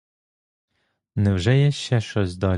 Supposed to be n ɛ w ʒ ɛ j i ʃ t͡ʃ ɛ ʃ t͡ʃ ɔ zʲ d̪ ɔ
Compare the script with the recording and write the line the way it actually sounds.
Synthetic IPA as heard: n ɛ w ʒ ɛ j ɛ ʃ t͡ʃ ɛ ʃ t͡ʃ ɔ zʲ d̪ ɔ